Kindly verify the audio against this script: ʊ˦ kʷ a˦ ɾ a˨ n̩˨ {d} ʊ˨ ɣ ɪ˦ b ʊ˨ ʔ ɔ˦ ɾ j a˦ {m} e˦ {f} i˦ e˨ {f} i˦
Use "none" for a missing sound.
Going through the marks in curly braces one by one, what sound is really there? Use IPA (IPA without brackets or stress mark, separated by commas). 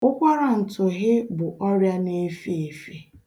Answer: t, n, f, f